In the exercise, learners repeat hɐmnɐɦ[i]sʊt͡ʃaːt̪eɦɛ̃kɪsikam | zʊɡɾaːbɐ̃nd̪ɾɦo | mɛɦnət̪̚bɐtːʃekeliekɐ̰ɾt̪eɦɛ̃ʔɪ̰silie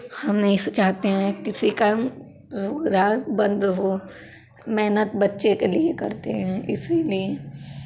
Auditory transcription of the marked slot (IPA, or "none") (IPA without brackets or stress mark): ĩ